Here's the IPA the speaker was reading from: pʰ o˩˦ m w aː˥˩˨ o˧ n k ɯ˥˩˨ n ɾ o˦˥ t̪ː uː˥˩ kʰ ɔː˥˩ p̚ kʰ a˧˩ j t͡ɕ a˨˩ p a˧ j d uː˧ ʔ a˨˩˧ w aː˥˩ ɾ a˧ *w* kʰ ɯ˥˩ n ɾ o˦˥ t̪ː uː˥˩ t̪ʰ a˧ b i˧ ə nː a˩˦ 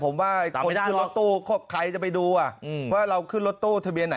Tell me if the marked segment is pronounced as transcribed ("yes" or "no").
yes